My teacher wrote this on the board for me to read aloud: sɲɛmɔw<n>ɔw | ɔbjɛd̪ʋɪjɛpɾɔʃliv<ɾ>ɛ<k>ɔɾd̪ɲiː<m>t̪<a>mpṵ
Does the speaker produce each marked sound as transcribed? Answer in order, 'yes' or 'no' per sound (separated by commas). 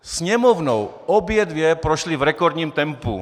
yes, yes, yes, yes, no